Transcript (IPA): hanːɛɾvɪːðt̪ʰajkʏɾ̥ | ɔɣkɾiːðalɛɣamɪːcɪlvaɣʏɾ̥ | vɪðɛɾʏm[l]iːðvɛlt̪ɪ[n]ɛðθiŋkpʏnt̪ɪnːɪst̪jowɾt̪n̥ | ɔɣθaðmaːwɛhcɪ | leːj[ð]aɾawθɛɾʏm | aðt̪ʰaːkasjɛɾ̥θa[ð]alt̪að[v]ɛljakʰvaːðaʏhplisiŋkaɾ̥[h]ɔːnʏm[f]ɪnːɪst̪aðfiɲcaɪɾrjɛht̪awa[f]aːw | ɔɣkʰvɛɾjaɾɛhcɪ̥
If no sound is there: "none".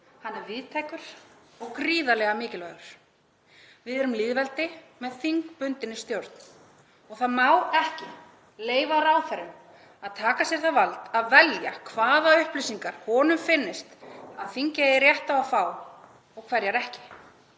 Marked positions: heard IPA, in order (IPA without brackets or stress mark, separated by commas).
l, m, v, v, v, h, f, f